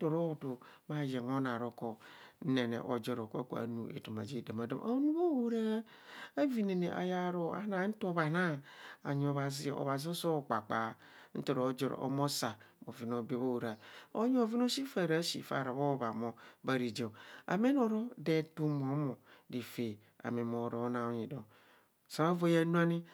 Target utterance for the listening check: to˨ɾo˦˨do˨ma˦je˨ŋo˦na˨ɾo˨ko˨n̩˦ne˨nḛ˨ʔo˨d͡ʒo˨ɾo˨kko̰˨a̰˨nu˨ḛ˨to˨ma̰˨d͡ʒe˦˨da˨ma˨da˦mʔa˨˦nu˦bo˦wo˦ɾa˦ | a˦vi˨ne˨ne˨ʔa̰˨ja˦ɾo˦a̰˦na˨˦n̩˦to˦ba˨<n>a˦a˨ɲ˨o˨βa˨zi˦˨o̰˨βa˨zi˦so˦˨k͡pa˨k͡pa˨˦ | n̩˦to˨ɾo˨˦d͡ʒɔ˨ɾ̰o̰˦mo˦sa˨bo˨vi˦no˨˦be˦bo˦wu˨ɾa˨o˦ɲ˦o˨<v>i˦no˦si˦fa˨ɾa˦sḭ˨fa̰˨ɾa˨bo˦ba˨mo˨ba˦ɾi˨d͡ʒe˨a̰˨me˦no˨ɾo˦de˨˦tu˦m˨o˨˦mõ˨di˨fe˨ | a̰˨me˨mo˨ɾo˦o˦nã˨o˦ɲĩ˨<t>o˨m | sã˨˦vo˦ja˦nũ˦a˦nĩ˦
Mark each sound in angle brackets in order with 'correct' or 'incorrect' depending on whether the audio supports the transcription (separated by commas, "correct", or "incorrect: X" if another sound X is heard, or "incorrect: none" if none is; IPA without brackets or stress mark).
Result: correct, correct, incorrect: d